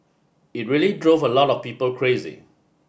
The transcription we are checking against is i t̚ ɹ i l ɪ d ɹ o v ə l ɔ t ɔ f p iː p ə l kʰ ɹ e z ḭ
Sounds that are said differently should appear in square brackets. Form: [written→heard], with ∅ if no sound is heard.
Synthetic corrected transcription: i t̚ ɹ i l [ɪ→i] d ɹ o v ə l ɔ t ɔ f p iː p ə l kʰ ɹ e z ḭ